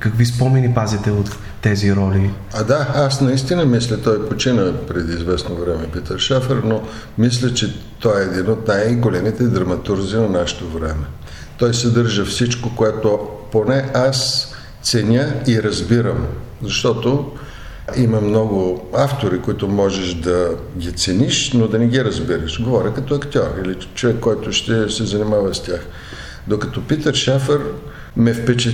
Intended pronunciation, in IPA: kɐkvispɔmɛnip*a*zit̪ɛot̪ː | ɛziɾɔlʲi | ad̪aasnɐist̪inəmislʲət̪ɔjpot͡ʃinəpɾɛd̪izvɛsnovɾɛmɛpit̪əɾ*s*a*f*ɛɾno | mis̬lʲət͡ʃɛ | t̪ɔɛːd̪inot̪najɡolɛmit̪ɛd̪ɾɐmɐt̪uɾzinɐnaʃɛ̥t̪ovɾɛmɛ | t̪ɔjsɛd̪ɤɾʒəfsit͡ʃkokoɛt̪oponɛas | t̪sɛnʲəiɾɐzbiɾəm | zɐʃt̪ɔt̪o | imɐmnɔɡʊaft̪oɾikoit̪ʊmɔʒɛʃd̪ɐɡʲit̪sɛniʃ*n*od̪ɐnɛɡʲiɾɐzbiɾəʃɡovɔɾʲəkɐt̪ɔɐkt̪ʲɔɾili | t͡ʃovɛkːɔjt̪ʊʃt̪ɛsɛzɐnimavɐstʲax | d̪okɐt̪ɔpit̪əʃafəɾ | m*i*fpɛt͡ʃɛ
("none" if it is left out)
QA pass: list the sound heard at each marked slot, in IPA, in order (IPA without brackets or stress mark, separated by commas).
a, ʃ, f, n, ɛ